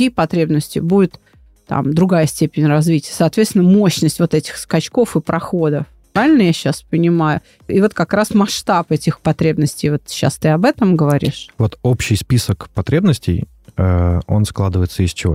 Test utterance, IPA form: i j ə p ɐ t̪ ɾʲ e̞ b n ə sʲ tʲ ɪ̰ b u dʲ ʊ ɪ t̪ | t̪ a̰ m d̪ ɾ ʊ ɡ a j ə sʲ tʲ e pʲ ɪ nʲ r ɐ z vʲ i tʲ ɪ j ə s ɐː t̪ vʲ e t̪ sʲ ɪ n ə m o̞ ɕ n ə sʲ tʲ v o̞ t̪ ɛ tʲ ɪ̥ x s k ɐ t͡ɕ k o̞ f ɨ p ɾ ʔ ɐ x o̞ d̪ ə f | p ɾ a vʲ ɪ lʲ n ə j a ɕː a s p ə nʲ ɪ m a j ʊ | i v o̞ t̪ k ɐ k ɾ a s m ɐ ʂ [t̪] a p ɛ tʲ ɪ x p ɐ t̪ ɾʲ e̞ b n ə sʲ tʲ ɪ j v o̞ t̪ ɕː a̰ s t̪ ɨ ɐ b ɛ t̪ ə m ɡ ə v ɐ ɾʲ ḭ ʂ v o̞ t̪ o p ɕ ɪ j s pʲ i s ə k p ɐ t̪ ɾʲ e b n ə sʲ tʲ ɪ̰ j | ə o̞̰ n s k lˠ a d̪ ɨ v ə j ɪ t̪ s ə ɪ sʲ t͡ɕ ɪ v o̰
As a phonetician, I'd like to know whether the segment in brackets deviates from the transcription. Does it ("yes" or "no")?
no